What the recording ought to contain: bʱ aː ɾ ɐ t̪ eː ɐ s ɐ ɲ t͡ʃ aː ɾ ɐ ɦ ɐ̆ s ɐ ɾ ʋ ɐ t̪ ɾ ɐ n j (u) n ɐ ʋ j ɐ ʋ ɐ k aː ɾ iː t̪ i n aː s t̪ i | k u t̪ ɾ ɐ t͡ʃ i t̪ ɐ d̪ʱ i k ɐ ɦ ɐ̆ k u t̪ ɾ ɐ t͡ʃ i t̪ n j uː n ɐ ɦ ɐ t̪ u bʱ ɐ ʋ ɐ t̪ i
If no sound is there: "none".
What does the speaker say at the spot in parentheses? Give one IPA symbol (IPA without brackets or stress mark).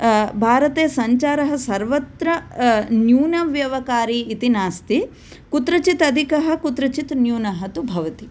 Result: uː